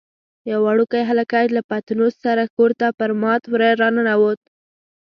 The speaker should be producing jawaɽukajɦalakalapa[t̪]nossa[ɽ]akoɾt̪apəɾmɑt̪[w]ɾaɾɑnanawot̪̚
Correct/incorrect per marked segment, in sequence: correct, incorrect: ɾ, correct

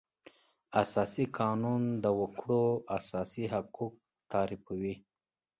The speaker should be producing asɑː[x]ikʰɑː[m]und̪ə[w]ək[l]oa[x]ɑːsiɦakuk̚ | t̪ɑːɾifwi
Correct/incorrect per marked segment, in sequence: incorrect: s, incorrect: n, correct, incorrect: ɽ, incorrect: s

